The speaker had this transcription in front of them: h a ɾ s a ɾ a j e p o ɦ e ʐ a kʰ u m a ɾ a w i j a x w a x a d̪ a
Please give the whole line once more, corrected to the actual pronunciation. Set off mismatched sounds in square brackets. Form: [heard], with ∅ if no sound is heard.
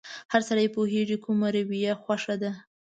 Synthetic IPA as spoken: h a ɾ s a ɾ a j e p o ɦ e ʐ [i] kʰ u m a ɾ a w i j a x w a [ʂ] a d̪ a